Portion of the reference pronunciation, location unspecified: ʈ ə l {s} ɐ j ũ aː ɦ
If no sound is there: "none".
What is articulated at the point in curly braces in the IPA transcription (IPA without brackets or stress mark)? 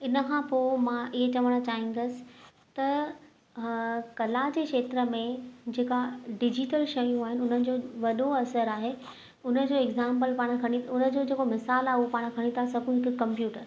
ʃ